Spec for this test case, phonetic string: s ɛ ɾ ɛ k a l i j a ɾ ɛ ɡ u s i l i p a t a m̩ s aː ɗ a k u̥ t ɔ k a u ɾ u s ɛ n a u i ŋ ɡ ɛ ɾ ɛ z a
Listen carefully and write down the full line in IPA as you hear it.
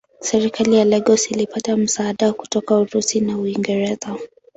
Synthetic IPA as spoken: s ɛ ɾ i k a l i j a l ɛ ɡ ɔ s i l i p a t a m̩ s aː ɗ a k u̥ t ɔ k a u ɾ u s i n a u i ŋ ɡ ɛ ɾ ɛ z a

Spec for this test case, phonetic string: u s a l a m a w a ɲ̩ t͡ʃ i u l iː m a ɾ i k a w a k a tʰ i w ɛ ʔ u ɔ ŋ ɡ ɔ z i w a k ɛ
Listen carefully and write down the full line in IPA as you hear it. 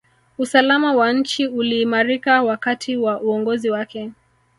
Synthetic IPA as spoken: u s a l a m a w a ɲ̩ t͡ʃ i u l iː m a ɾ i k a w a k a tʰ i w a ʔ u ɔ ŋ ɡ ɔ z i w a k ɛ

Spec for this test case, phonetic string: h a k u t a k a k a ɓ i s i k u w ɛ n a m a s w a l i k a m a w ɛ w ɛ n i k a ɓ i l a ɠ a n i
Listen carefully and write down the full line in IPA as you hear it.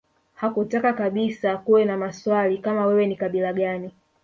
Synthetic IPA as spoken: h a k u t a k a k a ɓ i s a k u w ɛ n a m a s w a l i k a m a w ɛ w ɛ n i k a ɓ i l a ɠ a n i

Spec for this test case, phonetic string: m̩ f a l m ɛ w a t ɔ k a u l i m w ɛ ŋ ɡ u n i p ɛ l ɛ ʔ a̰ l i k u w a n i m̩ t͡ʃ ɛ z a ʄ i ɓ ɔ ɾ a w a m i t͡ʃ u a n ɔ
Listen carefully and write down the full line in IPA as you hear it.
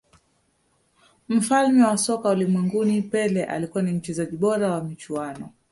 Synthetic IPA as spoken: m̩ f a l m ɛ w a s ɔ k a u l i m w ɛ ŋ ɡ u n i p ɛ l ɛ ʔ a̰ l i k u w a n i m̩ t͡ʃ ɛ z a ʄ i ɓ ɔ ɾ a w a m i t͡ʃ u a n ɔ

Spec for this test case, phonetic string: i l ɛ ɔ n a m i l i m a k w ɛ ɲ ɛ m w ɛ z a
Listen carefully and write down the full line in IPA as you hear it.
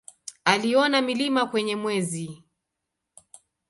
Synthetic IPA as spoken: a l i ɔ n a m i l i m a k w ɛ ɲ ɛ m w ɛ z i

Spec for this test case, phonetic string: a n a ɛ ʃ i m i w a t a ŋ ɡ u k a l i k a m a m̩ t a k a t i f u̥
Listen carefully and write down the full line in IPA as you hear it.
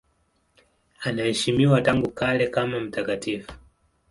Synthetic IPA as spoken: a n a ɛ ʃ i m i w a t a ŋ ɡ u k a l ɛ k a m a m̩ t a k a t i f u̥

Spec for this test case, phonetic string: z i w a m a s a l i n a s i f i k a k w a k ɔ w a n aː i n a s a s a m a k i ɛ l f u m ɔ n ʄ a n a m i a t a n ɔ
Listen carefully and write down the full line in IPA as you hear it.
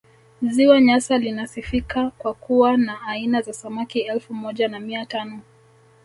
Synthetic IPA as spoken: z i w a ɲ a s a l i n a s i f i k a k w a k u w a n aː i n a z a s a m a k i ɛ l f u m ɔ ʄ a n a m i a t a n ɔ

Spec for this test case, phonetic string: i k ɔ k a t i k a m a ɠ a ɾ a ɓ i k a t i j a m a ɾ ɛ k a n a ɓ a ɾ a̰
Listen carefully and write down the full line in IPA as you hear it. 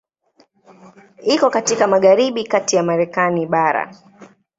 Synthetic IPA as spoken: i k ɔ k a t i k a m a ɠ a ɾ i ɓ i k a t i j a m a ɾ ɛ k a n i ɓ a ɾ a̰

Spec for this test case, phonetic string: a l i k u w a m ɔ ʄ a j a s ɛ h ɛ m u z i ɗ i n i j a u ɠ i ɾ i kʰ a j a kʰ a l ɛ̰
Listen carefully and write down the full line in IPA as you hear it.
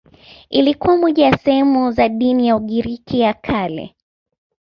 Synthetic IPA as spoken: i l i k u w a m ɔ ʄ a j a s ɛ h ɛ m u z a ɗ i n i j a u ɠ i ɾ i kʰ i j a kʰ a l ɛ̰

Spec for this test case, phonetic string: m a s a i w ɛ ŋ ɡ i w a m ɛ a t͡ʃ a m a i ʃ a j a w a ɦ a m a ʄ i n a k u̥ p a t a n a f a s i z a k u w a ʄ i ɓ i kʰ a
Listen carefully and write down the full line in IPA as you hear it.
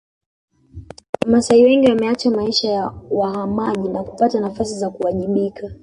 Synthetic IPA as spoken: m a s a i w ɛ ŋ ɡ i w a m ɛ a t͡ʃ a m a i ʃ a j a w a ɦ a m a ʄ i n a k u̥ p a t a n a f a s i z a k u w a ʄ i ɓ i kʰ a

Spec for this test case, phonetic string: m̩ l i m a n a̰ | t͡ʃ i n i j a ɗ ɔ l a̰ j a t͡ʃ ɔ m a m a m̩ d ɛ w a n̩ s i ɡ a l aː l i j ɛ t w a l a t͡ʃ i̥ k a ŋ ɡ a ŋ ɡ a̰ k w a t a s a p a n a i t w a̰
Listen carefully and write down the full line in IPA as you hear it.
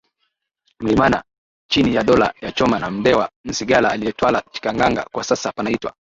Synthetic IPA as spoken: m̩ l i m a n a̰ | t͡ʃ i n i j a ɗ ɔ l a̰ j a t͡ʃ ɔ m a n a m̩ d ɛ w a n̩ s i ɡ a l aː l i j ɛ t w a l a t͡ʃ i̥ k a ŋ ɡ a ŋ ɡ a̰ k w a s a s a p a n a i t w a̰

